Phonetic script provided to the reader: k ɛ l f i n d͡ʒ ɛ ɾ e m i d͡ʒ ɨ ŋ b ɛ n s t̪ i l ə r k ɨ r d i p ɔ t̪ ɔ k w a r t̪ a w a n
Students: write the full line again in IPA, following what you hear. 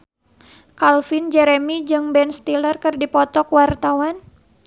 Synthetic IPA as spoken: k a l f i n d͡ʒ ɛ ɾ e m i d͡ʒ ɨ ŋ b ɛ n s t̪ i l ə r k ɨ r d i p ɔ t̪ ɔ k w a r t̪ a w a n